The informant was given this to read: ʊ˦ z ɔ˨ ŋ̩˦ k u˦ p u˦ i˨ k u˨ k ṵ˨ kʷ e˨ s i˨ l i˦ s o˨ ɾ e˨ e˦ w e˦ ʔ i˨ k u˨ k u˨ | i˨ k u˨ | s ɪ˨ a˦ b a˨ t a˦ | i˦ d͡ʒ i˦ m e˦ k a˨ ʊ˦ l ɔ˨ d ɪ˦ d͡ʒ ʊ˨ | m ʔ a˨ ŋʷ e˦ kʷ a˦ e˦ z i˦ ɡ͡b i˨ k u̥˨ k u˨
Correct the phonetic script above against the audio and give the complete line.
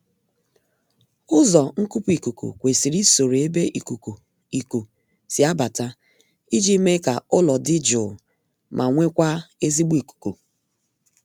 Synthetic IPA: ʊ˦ z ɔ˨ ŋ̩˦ k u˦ p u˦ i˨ k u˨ k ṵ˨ kʷ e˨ s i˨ ɾ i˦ s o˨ ɾ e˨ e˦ b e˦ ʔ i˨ k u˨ k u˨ | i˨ k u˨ | s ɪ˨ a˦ b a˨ t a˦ | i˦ d͡ʒ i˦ m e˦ k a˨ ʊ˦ l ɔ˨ d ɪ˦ d͡ʒ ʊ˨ | m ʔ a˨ ŋʷ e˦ kʷ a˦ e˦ z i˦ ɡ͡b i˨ k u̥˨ k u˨